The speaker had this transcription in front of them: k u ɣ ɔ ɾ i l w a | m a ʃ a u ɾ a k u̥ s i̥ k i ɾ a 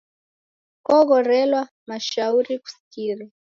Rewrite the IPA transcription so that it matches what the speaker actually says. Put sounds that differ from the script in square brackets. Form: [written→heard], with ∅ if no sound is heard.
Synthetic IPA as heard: k [u→ɔ] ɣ ɔ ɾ [i→ɛ] l w a | m a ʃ a u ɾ [a→i] k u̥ s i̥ k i ɾ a